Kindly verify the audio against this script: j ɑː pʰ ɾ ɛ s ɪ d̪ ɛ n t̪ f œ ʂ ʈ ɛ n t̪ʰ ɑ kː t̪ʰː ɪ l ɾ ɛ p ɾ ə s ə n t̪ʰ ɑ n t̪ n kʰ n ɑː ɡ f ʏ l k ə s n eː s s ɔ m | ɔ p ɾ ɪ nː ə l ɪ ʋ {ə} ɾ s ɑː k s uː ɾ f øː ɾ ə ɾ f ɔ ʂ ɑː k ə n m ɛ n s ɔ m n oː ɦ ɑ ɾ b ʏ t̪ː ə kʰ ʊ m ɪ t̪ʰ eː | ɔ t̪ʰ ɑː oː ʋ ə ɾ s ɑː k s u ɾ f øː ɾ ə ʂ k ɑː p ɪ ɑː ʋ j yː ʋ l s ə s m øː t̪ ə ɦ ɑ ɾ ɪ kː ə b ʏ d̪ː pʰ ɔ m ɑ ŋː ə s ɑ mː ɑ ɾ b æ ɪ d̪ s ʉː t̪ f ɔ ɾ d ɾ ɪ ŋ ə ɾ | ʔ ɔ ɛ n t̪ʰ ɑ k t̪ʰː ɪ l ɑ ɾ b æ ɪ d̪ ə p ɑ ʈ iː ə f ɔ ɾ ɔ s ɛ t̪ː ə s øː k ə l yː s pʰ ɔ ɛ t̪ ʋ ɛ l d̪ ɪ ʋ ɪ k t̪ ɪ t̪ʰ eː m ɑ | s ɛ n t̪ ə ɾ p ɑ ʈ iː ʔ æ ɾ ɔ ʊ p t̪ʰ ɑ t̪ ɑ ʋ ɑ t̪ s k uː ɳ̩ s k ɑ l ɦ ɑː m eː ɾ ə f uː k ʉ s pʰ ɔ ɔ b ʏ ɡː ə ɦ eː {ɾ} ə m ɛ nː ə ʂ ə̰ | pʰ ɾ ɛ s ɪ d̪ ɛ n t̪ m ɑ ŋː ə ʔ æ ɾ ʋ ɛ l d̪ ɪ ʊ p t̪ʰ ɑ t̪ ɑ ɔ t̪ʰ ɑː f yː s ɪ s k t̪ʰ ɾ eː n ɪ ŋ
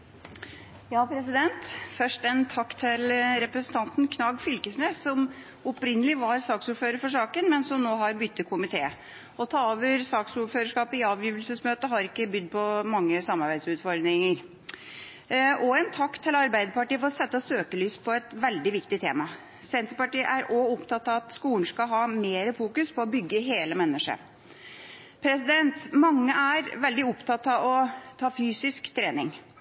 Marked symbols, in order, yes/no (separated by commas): no, no